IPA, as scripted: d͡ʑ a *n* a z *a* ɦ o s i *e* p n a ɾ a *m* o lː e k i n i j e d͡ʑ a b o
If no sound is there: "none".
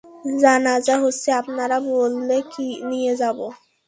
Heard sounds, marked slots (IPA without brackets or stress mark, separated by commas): n, a, a, b